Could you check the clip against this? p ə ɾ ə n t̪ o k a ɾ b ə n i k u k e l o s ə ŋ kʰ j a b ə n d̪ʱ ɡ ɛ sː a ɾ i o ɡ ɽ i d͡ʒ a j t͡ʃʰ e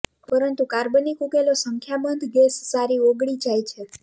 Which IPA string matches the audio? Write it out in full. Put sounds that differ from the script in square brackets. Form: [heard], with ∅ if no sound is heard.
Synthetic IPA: p ə ɾ ə n t̪ [u] k a ɾ b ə n i k u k e l o s ə ŋ kʰ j a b ə n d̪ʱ ɡ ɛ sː a ɾ i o ɡ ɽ i d͡ʒ a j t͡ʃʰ e